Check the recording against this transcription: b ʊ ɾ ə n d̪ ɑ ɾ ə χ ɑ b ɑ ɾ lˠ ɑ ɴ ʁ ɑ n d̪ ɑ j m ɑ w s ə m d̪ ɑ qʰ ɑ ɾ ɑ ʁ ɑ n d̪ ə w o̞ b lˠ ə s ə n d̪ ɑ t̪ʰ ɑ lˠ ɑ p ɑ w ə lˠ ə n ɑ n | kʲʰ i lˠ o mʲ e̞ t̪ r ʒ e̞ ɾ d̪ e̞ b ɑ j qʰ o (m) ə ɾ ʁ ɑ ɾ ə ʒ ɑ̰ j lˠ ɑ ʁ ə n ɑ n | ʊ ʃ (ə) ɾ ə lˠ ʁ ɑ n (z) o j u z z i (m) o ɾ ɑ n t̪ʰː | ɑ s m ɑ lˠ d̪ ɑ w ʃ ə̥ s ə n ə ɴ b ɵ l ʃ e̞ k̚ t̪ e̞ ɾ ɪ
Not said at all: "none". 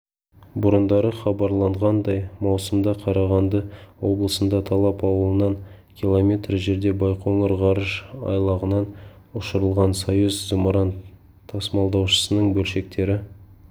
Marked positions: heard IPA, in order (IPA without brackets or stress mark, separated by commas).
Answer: ŋ, ə, s, m